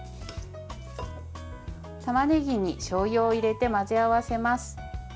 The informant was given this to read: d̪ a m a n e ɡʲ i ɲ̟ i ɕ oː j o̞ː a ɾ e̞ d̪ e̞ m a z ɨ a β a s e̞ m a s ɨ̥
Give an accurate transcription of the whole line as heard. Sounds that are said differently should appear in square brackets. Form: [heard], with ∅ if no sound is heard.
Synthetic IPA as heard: [t̪] a m a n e ɡʲ i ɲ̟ i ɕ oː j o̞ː [i] ɾ e̞ [t̪] e̞ m a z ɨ a β a s e̞ m a s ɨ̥